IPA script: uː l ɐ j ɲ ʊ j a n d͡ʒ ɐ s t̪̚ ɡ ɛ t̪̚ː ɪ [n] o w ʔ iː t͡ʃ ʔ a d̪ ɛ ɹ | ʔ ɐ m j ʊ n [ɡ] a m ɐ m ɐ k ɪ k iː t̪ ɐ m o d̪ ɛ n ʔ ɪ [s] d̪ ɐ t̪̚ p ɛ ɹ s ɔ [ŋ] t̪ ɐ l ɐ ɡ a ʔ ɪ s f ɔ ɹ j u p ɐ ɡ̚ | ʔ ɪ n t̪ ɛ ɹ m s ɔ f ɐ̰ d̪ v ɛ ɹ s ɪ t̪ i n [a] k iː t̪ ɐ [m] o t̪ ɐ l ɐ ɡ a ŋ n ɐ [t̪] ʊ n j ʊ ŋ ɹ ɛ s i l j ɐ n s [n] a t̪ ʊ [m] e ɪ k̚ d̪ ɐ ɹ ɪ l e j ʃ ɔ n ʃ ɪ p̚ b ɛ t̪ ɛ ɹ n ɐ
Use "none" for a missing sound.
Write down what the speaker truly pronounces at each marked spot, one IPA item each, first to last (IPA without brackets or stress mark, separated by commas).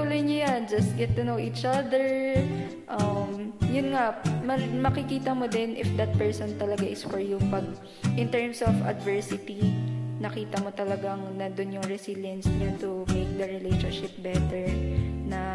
n, ŋ, f, n, ɐ, m, d̪, ɲ, m